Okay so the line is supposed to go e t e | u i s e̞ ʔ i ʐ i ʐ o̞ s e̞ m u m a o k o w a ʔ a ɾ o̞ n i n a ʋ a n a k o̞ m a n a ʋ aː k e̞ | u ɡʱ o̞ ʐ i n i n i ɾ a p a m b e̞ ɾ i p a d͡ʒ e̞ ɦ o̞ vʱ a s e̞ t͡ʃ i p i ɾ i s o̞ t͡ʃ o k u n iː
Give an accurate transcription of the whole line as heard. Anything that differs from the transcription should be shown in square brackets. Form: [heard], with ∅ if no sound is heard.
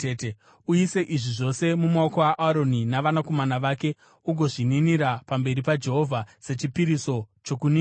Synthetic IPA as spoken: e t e | u i s e̞ ʔ i ʐ i ʐ o̞ s e̞ m u m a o k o w a ʔ a ɾ o̞ n i n a ʋ a n a k o̞ m a n a ʋ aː k e̞ | u ɡʱ o̞ ʐ i n i n i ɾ a p a m b e̞ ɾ i p a d͡ʒ e̞ ɦ o̞ vʱ a s e̞ t͡ʃ i p i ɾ i s o̞ t͡ʃ o k u n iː